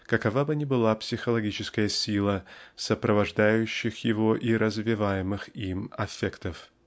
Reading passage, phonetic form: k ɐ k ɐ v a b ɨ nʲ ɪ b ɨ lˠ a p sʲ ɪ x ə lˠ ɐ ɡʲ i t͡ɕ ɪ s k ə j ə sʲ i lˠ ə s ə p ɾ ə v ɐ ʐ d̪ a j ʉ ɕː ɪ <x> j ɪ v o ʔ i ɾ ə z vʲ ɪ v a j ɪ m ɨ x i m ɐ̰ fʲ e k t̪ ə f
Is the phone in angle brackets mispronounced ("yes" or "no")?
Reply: no